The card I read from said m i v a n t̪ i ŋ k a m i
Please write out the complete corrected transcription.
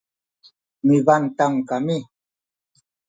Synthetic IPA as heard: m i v a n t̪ a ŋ k a m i